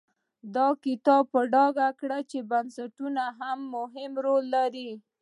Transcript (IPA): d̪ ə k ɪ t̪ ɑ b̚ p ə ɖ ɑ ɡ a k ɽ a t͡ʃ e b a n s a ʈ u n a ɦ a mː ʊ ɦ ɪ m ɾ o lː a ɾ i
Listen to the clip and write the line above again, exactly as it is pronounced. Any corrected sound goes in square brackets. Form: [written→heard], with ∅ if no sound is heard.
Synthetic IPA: d̪ [ə→ɑ] k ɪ t̪ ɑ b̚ p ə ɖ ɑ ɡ a k ɽ a t͡ʃ e b a n s a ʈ u n a ɦ a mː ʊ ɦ ɪ m ɾ o lː a ɾ i